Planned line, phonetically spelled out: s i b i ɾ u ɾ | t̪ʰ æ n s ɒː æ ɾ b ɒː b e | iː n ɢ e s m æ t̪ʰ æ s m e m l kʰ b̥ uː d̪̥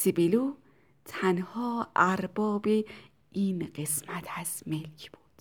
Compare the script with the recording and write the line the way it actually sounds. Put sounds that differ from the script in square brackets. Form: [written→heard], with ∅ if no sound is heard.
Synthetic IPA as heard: s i b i [ɾ→l] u [ɾ→∅] | t̪ʰ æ n [s→h] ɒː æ ɾ b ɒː b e | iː n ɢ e s m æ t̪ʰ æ s m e [m→∅] l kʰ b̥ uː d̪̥